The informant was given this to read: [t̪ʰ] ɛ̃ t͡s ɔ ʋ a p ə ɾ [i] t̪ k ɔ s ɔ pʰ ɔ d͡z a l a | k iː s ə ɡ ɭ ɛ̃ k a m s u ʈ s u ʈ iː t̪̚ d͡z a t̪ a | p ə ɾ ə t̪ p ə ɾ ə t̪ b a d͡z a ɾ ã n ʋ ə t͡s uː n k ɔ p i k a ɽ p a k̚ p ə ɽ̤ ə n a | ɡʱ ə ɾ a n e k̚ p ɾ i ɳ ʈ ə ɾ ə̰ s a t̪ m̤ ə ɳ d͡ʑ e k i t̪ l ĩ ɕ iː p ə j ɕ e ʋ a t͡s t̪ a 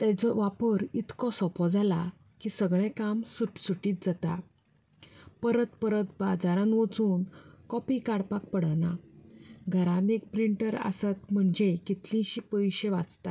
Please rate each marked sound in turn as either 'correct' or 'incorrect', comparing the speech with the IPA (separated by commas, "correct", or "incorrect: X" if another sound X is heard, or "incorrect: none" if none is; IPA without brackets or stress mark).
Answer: incorrect: t̪, correct